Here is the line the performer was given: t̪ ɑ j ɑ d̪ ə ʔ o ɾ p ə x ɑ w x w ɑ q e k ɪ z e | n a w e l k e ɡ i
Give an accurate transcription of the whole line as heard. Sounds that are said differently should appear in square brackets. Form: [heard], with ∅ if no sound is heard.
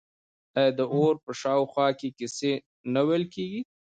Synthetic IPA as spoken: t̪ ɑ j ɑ d̪ ə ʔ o ɾ p ə [ʃ] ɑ w x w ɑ [k] e k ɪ [s] e | n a w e l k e ɡ i